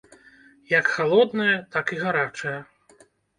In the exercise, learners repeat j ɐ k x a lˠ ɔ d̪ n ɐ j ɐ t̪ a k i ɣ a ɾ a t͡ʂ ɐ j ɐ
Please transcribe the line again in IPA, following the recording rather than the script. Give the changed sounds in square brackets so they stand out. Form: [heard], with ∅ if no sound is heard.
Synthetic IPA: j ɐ k x a lˠ ɔ d̪ n ɐ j ɐ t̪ a k i ɣ a ɾ a t͡ʂ ɐ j ɐ